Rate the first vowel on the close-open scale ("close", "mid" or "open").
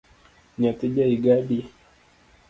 open